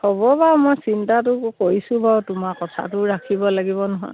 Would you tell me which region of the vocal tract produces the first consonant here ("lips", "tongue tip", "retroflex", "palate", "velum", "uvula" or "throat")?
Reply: throat